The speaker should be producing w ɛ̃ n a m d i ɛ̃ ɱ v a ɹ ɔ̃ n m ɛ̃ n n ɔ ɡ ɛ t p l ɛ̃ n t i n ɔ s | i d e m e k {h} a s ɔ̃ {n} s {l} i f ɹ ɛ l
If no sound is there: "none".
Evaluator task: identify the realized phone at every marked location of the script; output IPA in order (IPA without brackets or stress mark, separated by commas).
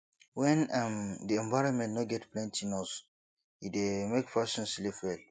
f, n, l